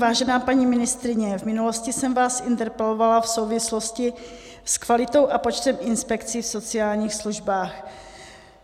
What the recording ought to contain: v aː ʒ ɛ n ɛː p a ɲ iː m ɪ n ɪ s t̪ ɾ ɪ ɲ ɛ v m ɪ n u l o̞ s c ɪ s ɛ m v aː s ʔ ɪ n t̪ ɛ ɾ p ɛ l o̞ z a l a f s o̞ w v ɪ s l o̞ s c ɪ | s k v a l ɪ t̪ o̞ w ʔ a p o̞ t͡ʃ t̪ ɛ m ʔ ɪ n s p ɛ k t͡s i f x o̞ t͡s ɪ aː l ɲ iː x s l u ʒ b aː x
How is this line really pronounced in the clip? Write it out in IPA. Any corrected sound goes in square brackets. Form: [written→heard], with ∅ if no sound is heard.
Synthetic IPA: v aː ʒ ɛ n [ɛː→aː] p a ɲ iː m ɪ n ɪ s t̪ ɾ ɪ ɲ ɛ v m ɪ n u l o̞ s c ɪ s ɛ m v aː s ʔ ɪ n t̪ ɛ ɾ p ɛ l o̞ [z→v] a l a f s o̞ w v ɪ s l o̞ s c ɪ | s k v a l ɪ t̪ o̞ w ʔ a p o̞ t͡ʃ t̪ ɛ m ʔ ɪ n s p ɛ k t͡s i f [x→s] o̞ t͡s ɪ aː l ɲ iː x s l u ʒ b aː x